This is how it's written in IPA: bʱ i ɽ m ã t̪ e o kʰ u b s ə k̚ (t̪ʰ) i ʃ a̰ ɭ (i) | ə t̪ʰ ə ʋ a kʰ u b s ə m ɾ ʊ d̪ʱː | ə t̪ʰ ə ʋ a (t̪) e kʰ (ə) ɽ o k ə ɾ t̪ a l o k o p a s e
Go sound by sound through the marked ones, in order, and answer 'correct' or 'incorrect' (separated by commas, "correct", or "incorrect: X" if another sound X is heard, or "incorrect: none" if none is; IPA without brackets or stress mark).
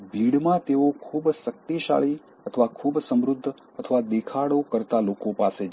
incorrect: t̪, correct, incorrect: d̪, incorrect: a